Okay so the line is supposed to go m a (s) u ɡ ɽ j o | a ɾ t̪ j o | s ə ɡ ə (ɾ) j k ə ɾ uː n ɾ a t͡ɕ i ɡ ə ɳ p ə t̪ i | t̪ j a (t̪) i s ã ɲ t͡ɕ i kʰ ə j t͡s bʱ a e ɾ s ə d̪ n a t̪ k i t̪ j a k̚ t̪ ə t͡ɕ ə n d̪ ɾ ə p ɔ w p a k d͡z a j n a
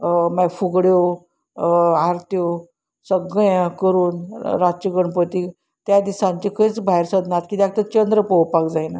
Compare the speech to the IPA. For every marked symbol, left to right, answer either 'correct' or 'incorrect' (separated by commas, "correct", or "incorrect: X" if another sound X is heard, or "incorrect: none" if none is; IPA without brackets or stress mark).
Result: incorrect: f, incorrect: none, incorrect: d̪